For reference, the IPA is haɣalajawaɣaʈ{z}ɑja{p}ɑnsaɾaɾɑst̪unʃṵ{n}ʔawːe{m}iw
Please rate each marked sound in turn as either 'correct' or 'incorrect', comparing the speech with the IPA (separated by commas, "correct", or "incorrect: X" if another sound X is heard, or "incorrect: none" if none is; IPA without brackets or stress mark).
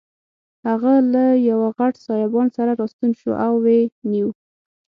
incorrect: s, incorrect: b, incorrect: none, incorrect: n